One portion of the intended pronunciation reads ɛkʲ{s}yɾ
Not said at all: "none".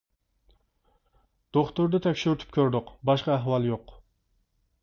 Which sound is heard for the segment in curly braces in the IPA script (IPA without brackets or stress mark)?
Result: ʃ